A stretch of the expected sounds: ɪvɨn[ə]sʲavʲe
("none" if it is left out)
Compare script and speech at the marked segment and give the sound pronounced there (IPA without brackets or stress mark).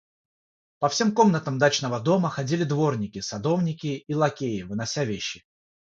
ɐ